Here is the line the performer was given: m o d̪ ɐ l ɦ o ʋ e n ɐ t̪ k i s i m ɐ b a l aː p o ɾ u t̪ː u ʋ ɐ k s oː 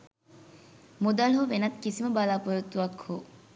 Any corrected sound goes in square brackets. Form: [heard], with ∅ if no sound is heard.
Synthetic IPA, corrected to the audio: m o d̪ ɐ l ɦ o ʋ e n ɐ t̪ k i s i m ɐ b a l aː p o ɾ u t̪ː u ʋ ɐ k [h] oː